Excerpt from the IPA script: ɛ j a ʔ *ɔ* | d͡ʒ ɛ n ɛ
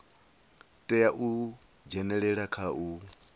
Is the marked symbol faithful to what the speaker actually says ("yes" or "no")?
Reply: no